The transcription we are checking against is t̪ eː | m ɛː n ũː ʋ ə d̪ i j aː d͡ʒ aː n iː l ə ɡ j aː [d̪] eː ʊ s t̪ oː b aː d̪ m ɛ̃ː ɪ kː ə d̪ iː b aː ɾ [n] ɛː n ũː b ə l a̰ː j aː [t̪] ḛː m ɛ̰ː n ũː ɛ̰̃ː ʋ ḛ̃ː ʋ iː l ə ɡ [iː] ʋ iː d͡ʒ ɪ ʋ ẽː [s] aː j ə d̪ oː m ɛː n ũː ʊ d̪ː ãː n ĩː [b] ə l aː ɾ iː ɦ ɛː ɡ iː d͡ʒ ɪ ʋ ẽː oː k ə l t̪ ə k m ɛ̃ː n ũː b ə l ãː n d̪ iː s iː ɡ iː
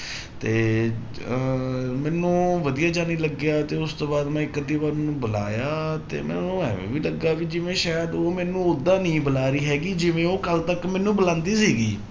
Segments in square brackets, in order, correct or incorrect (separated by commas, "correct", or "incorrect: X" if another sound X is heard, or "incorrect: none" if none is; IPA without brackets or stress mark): incorrect: t̪, incorrect: m, correct, incorrect: aː, incorrect: ʃ, correct